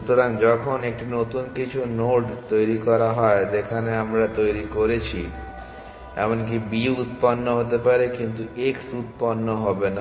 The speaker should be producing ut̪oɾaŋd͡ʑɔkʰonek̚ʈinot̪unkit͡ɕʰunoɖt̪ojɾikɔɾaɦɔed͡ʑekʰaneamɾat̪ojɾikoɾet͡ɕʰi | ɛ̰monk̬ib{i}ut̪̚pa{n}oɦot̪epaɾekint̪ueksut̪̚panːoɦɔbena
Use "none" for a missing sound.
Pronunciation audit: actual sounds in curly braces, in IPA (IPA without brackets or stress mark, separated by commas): i, nː